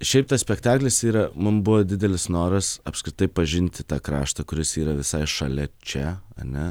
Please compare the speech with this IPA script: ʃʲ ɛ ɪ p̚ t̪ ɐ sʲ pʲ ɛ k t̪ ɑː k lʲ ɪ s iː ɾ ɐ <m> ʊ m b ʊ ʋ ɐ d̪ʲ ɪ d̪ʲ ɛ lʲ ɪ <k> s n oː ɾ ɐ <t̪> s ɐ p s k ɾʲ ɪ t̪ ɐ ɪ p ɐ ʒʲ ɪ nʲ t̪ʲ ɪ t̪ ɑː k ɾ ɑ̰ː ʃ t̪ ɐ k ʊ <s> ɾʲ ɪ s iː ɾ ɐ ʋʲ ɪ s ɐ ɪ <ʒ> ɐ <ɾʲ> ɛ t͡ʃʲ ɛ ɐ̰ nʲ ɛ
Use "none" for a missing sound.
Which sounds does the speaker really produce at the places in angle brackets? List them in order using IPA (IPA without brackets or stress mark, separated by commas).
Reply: m, none, none, none, ʃ, lʲ